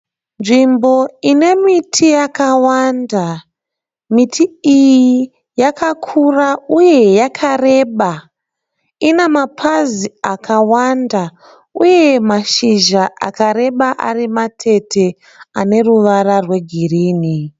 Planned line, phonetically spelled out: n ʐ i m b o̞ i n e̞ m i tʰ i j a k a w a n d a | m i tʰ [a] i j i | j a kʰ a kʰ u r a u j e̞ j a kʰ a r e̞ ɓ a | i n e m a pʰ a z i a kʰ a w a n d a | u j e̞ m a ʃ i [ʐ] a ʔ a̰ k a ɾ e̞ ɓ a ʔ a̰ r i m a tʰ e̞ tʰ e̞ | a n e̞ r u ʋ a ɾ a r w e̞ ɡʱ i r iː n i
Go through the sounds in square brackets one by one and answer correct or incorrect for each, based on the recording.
incorrect: i, incorrect: ʒ

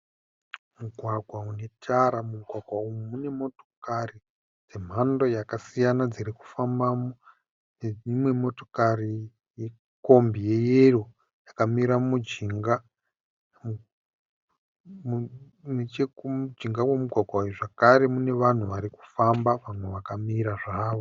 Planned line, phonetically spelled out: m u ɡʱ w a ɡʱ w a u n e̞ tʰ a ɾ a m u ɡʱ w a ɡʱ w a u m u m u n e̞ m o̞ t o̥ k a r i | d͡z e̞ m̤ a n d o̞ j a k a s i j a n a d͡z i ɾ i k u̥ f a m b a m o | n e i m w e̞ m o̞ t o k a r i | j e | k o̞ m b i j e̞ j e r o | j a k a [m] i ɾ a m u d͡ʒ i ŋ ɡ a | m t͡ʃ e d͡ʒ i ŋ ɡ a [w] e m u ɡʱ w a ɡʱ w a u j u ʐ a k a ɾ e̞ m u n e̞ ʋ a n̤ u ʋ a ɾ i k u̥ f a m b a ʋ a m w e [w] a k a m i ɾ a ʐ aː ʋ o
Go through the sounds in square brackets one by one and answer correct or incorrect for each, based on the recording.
correct, correct, incorrect: ʋ

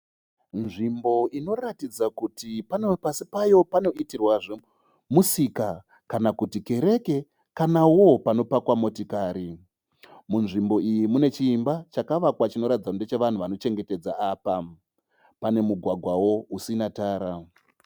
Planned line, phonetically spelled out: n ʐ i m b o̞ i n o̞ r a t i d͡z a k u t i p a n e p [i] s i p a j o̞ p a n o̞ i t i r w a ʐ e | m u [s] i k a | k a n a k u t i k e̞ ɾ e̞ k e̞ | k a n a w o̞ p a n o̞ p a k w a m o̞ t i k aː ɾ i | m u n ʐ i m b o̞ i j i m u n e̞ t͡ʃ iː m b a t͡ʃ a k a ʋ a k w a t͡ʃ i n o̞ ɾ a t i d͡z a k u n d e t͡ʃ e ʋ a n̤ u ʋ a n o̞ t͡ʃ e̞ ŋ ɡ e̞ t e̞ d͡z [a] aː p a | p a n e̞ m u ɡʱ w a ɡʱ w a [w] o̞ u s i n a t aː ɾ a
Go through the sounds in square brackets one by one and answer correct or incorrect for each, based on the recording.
incorrect: a, correct, correct, correct

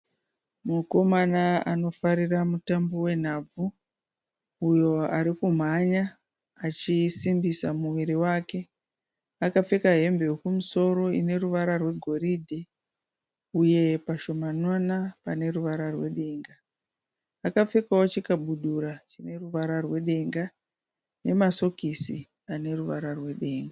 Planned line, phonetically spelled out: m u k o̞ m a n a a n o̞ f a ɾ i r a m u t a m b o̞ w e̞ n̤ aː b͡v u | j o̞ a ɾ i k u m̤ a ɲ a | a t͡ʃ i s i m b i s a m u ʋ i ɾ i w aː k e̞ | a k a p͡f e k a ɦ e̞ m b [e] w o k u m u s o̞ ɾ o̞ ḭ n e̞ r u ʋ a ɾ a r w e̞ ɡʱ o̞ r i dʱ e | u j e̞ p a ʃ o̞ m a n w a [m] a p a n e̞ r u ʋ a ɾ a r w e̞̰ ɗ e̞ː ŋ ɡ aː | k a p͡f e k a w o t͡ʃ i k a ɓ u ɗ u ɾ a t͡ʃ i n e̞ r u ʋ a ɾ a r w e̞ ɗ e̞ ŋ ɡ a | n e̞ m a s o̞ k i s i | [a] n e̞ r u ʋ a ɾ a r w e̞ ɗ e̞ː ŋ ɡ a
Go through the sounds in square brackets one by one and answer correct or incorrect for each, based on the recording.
correct, incorrect: n, correct

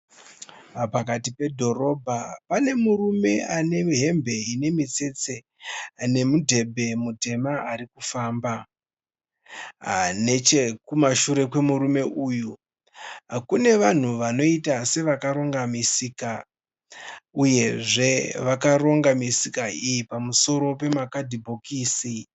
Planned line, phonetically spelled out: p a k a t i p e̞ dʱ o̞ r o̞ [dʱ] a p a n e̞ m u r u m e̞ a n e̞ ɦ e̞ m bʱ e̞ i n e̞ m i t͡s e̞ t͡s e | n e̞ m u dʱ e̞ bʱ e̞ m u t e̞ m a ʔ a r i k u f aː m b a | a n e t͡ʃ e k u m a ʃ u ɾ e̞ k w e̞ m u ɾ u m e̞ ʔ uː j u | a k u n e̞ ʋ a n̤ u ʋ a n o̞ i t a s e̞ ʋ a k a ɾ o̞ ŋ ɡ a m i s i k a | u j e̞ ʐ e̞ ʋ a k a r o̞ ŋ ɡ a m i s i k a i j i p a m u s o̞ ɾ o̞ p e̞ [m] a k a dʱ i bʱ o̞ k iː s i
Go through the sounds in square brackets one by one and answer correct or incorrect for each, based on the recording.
incorrect: bʱ, correct

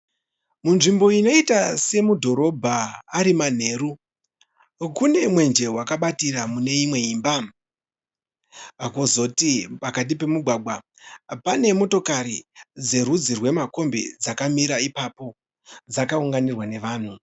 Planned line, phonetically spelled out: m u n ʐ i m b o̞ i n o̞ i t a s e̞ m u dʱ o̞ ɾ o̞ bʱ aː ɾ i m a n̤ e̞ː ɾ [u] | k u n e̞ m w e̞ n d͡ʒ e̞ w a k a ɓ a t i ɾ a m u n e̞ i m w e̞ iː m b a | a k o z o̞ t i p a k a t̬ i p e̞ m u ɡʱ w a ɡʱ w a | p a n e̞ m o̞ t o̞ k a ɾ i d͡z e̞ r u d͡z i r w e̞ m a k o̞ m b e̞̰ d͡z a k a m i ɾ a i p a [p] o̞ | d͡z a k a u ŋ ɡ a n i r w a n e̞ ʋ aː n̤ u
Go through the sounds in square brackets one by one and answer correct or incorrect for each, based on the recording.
correct, correct

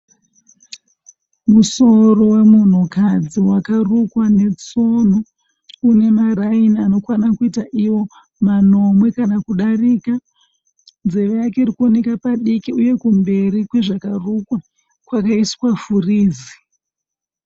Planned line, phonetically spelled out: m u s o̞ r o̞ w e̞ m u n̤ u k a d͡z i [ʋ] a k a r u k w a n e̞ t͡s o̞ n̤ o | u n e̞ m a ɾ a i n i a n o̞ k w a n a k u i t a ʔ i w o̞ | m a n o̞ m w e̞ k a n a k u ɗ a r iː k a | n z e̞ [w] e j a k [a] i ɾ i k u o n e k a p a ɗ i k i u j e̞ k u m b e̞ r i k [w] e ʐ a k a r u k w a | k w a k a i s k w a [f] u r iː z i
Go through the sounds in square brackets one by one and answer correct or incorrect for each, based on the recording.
incorrect: w, incorrect: ʋ, incorrect: e, correct, correct

